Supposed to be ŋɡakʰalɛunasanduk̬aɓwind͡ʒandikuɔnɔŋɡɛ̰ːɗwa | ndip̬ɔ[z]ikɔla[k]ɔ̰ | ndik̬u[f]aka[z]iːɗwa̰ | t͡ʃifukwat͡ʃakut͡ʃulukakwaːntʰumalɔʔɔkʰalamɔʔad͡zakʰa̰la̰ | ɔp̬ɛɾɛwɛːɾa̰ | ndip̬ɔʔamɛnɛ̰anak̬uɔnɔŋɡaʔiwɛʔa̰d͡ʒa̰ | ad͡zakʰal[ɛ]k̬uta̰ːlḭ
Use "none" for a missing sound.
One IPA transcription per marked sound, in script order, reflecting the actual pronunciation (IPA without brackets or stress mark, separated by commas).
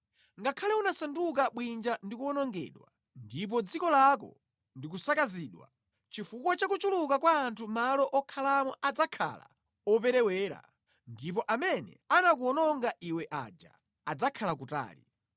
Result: d͡z, k, s, z, a